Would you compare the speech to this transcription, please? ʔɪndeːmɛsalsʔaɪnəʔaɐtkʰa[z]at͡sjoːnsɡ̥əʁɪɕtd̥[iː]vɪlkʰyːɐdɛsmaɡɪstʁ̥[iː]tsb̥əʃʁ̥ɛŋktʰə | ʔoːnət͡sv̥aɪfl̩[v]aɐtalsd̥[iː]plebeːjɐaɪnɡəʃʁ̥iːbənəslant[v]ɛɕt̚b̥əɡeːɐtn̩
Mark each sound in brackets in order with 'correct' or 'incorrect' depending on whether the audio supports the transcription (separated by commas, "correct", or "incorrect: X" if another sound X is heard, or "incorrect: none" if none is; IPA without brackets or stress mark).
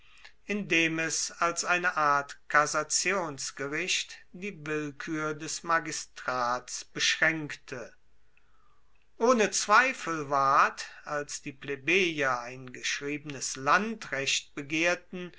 correct, correct, incorrect: aː, correct, correct, incorrect: ʁ